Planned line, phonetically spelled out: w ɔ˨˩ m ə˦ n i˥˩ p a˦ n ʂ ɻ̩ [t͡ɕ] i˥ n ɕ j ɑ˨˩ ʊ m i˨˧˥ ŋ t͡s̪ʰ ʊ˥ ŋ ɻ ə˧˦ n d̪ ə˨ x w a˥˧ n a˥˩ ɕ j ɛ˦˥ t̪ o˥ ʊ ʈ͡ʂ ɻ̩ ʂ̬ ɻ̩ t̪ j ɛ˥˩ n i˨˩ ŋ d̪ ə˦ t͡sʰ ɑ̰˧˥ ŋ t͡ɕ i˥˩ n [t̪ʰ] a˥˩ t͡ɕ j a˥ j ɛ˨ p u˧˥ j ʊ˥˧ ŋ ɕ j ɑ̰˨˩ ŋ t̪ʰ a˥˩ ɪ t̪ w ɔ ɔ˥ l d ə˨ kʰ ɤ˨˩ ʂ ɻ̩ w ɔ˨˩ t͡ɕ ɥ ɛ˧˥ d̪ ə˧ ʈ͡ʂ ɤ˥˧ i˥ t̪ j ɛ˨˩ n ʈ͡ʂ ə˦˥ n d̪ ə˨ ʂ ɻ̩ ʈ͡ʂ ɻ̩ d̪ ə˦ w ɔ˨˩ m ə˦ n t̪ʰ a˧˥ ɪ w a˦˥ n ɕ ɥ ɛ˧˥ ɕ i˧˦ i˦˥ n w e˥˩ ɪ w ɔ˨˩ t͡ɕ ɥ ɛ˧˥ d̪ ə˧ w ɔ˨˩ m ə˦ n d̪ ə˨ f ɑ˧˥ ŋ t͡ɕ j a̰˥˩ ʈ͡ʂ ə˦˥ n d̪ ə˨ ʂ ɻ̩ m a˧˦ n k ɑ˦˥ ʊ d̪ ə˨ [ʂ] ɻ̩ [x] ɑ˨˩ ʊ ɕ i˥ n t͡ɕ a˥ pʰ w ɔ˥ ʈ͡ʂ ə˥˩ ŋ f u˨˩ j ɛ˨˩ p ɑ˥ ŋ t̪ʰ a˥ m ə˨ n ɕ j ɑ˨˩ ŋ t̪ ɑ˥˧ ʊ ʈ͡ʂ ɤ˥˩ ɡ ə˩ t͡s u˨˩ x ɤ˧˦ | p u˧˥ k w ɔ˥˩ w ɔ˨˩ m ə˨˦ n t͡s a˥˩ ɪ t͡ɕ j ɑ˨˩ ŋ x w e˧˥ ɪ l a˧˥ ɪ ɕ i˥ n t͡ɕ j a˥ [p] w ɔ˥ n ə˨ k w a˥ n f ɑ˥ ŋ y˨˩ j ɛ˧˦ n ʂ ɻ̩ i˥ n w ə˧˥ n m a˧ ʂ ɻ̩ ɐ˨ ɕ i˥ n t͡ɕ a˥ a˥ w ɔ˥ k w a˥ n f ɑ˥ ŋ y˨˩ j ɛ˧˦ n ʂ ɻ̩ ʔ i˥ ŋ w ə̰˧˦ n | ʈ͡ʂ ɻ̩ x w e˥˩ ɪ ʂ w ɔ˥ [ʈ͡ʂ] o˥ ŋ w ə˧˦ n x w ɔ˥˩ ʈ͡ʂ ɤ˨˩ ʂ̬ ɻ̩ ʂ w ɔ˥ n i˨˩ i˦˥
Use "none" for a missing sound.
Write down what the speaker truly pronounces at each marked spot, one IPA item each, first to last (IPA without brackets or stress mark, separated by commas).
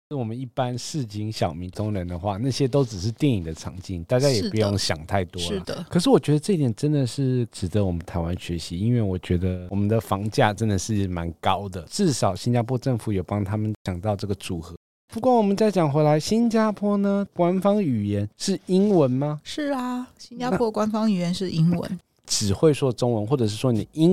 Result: t͡ɕ, t̪, ʈ͡ʂ, ʂ, pʰ, ʈ͡ʂ